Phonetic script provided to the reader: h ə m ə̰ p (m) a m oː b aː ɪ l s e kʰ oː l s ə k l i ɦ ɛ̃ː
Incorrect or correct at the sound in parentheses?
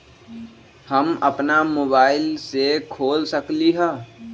incorrect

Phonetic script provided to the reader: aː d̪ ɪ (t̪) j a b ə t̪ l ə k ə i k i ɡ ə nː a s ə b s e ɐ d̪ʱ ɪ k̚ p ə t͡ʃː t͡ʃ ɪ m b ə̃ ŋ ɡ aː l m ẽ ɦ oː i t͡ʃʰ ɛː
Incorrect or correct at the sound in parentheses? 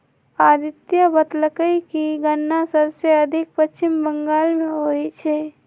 correct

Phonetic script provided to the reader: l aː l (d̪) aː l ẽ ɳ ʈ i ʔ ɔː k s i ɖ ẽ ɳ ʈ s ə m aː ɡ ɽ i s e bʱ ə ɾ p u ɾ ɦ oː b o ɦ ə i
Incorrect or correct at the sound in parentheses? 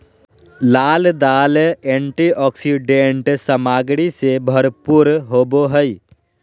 correct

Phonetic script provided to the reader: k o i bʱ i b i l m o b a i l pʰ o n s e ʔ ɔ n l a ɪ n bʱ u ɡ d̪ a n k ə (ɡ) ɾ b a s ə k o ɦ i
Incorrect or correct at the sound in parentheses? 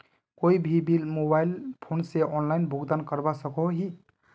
incorrect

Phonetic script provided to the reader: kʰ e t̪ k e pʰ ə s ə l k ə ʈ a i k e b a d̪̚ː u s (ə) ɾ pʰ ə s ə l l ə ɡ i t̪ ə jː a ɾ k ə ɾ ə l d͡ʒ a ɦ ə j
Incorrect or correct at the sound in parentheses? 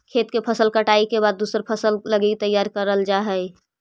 correct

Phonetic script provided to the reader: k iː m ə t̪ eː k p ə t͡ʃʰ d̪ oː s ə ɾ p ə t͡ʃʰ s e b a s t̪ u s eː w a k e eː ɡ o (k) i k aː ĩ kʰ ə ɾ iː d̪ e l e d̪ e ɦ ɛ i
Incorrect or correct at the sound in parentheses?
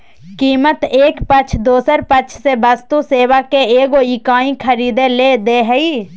incorrect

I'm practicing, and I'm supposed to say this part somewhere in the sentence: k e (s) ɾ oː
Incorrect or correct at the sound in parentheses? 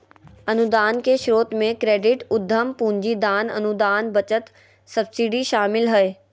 incorrect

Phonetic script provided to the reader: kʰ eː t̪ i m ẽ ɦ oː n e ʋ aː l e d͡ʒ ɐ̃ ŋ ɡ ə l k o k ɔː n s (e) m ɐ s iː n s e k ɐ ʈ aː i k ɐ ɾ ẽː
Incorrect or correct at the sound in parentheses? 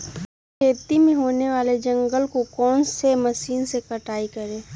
correct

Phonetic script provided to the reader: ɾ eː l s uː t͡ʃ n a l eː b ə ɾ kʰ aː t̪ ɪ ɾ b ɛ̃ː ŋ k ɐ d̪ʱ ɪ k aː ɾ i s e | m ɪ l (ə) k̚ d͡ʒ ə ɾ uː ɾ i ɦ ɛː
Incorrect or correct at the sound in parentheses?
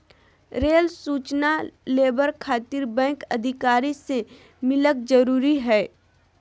correct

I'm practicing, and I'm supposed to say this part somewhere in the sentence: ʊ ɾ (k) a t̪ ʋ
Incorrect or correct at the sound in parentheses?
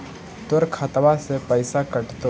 incorrect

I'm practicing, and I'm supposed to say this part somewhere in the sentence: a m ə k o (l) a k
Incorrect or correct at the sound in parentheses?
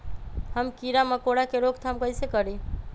incorrect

